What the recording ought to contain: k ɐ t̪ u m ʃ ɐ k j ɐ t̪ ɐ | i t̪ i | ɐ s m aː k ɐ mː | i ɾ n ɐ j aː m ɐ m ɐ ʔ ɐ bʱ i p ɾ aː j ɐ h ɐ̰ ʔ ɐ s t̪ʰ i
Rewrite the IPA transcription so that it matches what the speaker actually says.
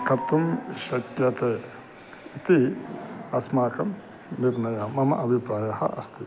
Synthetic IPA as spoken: k ɐ t̪ u m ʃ ɐ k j ɐ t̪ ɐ | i t̪ i | ɐ s m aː k ɐ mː | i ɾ n ɐ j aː m ɐ m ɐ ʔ ɐ bʱ i p ɾ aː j ɐ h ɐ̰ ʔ ɐ s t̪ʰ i